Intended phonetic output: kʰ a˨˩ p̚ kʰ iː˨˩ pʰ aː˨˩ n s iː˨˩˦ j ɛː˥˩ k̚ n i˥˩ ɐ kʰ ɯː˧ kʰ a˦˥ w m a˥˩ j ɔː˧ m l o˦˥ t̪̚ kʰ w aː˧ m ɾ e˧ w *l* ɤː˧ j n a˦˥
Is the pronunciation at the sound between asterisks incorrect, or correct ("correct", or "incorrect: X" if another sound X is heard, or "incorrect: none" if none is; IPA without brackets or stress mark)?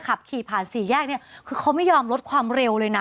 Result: correct